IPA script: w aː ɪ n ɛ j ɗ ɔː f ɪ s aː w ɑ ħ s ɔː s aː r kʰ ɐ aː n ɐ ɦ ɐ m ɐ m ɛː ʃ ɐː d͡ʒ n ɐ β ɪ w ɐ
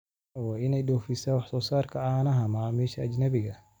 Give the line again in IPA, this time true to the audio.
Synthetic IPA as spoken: w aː ɪ n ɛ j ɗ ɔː f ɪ s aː w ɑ ħ s ɔː s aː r kʰ ɐ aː n ɐ ɦ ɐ m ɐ m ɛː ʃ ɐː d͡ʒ n ɐ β ɪ ɣ ɐ